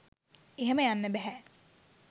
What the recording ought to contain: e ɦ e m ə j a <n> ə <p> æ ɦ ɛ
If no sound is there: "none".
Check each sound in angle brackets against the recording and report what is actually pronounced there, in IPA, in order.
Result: nː, b

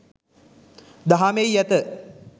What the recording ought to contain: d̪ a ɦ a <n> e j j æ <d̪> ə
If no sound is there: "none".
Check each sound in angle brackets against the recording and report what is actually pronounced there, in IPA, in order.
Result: m, t̪

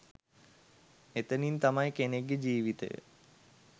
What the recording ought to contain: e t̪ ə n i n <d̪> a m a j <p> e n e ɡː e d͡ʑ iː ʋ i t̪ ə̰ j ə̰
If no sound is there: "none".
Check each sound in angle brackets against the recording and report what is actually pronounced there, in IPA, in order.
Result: t̪, k

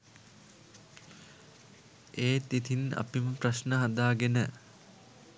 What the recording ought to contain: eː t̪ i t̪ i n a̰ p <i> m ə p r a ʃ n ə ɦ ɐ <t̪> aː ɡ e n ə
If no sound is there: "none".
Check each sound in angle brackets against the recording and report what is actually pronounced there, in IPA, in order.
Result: i, d̪

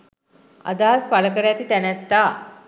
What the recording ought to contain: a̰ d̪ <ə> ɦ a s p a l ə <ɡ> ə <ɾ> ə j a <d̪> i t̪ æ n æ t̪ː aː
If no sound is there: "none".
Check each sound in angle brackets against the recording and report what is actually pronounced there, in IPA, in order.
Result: a, k, ɾ, t̪

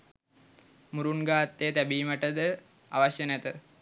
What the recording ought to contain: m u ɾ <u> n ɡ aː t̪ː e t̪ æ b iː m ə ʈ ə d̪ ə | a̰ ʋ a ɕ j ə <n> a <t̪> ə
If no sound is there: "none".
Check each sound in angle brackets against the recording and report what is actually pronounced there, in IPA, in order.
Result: u, n, t̪

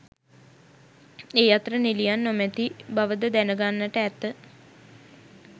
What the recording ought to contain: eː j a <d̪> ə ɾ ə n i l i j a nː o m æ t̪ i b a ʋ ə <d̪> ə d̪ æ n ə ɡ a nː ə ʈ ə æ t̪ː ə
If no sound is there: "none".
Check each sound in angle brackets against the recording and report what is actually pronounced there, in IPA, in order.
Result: t̪, d̪

